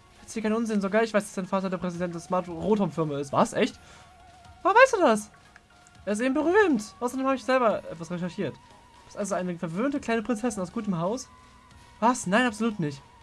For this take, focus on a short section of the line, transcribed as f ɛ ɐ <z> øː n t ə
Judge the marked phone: incorrect: v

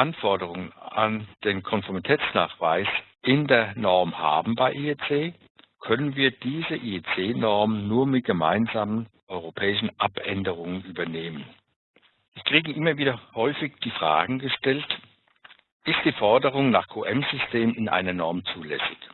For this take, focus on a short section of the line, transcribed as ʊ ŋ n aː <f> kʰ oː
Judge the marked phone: incorrect: χ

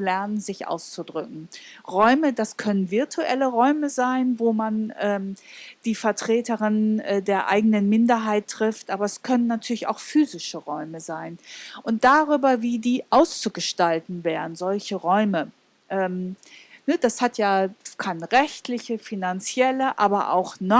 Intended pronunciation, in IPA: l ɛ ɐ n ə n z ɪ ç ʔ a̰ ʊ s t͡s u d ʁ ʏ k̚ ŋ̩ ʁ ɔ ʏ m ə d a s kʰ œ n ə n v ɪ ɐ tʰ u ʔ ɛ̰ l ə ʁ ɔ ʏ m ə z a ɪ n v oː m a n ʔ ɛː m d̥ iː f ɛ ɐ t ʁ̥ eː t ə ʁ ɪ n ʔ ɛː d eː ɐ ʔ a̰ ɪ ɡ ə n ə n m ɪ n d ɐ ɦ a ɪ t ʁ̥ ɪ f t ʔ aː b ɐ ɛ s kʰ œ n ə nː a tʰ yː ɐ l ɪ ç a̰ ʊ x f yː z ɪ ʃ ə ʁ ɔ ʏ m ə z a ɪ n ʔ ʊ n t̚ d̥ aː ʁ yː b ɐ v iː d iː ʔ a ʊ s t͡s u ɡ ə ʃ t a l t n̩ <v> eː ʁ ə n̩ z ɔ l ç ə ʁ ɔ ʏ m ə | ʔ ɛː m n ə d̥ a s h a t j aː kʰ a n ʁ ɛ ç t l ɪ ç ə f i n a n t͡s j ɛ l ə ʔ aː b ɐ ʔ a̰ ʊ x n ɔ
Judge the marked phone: correct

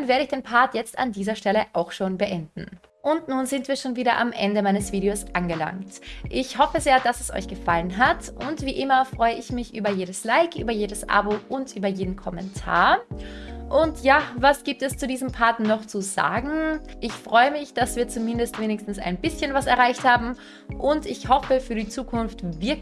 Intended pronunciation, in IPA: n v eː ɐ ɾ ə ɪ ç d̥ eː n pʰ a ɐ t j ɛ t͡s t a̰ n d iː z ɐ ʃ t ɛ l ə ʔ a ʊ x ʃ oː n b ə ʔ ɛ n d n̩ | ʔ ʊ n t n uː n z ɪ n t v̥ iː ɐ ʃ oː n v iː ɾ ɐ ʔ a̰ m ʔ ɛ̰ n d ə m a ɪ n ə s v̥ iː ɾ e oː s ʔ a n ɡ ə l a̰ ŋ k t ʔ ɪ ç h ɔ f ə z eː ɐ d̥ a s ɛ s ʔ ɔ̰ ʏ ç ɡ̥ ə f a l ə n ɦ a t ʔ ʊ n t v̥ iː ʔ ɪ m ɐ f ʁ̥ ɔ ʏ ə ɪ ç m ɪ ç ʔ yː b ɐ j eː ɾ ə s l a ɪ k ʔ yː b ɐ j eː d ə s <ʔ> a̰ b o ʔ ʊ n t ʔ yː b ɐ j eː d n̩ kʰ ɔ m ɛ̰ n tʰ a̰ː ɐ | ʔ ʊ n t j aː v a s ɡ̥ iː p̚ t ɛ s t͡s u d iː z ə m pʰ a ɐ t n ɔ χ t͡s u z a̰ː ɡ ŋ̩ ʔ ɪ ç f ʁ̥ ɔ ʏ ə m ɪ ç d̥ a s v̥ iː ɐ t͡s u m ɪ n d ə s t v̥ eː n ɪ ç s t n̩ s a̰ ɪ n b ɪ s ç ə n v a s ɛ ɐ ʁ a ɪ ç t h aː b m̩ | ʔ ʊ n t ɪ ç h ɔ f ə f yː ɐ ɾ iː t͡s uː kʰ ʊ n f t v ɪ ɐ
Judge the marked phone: correct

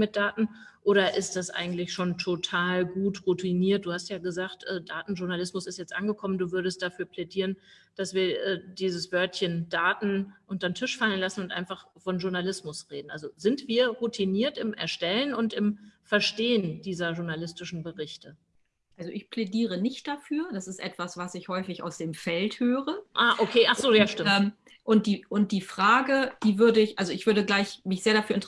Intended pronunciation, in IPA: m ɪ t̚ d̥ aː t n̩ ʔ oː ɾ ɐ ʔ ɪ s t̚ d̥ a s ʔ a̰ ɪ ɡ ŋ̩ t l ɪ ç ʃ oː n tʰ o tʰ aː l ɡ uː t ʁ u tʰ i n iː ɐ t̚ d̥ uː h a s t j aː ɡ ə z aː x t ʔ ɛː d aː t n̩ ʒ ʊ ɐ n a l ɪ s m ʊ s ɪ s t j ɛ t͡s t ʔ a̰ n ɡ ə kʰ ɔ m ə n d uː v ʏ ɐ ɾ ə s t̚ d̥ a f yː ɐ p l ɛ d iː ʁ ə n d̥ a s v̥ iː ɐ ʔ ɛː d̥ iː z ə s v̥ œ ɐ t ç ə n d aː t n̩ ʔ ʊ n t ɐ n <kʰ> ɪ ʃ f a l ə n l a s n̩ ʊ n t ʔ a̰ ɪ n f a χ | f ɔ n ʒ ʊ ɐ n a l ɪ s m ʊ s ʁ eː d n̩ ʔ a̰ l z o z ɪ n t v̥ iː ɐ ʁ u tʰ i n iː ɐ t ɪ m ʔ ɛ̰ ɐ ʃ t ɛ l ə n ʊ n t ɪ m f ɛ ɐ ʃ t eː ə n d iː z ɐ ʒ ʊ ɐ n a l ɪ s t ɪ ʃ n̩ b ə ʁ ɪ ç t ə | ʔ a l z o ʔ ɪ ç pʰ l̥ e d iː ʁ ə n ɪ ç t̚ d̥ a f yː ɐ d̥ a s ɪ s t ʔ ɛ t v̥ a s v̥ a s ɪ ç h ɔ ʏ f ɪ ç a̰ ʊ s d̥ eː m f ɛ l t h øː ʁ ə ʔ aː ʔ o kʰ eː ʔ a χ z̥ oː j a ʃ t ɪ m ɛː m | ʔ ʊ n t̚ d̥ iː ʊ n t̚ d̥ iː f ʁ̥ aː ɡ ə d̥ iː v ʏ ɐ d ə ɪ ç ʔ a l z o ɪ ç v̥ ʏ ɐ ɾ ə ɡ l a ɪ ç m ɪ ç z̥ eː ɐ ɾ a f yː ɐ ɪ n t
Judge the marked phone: incorrect: tʰ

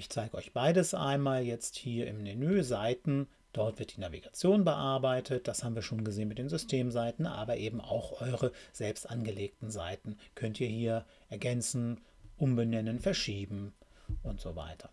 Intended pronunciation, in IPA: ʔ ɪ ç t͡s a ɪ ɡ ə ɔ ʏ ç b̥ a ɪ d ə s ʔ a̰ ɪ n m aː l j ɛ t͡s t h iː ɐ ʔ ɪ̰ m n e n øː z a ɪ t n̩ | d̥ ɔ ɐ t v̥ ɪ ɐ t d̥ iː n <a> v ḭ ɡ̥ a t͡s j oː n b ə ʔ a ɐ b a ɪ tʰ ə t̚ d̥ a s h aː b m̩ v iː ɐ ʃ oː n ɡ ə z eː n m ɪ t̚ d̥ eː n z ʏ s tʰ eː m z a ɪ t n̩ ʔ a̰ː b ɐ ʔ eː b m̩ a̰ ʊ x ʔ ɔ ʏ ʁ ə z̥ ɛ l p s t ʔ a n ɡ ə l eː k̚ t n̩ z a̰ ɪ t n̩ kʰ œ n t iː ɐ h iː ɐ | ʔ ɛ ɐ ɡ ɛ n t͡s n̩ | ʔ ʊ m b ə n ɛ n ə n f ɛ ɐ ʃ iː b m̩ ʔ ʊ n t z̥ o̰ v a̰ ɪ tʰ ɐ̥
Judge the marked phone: correct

